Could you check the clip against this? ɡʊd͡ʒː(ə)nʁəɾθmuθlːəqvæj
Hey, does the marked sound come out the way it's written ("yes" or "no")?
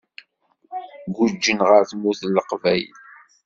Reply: yes